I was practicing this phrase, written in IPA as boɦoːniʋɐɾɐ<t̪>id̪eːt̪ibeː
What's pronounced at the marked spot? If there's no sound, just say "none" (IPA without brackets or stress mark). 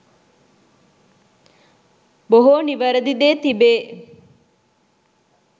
d̪